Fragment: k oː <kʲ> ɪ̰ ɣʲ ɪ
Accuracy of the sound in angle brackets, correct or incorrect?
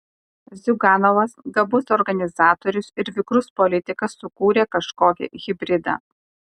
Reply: correct